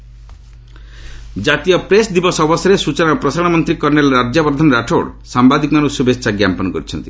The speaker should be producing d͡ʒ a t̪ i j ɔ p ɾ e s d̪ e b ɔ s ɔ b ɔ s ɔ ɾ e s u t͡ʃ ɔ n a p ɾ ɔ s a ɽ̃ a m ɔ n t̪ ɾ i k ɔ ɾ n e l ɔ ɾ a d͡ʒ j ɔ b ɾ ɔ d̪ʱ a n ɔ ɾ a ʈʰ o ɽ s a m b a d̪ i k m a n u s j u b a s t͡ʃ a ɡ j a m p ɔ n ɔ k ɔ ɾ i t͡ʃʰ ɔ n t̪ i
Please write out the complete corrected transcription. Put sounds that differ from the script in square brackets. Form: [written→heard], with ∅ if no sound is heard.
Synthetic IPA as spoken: d͡ʒ a t̪ i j ɔ p ɾ e s d̪ [e→i] b ɔ s ɔ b ɔ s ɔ ɾ e s u t͡ʃ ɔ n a p ɾ ɔ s a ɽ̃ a m ɔ n t̪ ɾ i k ɔ ɾ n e l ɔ ɾ a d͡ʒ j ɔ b ɾ ɔ d̪ʱ a n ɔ ɾ a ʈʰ o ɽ s a m b a d̪ i k m a n u s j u b [a→e] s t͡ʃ a ɡ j a m p ɔ n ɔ k ɔ ɾ i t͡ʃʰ ɔ n t̪ i